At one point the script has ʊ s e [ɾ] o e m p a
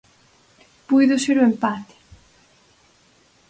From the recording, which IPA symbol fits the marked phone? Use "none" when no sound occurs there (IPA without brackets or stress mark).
ɾ